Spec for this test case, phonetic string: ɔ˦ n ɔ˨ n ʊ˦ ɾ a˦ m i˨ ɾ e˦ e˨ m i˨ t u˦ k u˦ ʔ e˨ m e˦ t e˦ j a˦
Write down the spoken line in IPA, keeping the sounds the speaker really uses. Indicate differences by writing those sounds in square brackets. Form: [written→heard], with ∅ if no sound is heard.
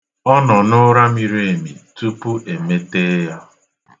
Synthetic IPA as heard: ɔ˦ n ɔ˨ n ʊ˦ ɾ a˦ m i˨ ɾ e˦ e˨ m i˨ t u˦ [k→p] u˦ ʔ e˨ m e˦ t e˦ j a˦